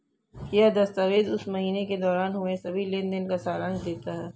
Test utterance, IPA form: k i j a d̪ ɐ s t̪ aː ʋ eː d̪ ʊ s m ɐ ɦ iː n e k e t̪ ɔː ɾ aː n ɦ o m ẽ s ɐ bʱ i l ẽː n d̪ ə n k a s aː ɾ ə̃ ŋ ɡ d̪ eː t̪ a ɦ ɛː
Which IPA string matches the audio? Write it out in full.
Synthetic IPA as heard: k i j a d̪ ɐ s t̪ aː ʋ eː d̪ ʊ s m ɐ ɦ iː n e k e d̪ ɔː ɾ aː n ɦ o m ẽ s ɐ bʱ i l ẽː n d̪ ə n k a s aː ɾ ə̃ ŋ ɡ d̪ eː t̪ a ɦ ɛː